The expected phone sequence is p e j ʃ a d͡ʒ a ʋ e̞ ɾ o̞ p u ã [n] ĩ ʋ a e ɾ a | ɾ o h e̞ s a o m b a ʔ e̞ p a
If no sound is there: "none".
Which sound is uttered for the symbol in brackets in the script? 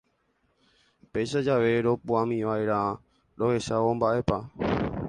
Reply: m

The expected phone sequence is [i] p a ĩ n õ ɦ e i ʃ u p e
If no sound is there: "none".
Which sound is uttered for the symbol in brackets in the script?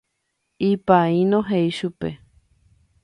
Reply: i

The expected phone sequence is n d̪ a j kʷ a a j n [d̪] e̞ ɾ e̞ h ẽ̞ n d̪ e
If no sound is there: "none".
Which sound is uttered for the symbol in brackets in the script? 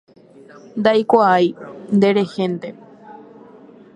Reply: d̪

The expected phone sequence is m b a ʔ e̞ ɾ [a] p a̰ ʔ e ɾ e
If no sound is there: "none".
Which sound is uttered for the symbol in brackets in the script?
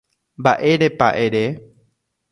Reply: e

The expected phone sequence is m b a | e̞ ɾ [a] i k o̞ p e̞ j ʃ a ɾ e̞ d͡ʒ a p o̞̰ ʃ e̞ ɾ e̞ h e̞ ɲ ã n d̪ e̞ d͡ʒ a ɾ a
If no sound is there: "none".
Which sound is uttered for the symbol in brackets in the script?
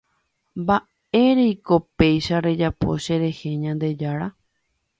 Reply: e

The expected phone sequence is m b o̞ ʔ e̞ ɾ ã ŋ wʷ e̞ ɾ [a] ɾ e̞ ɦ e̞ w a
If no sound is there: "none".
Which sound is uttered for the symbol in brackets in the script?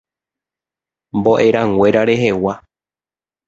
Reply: a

